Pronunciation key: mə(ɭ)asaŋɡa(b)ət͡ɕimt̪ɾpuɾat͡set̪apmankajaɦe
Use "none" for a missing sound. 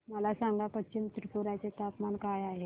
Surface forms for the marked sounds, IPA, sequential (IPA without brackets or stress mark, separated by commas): l, p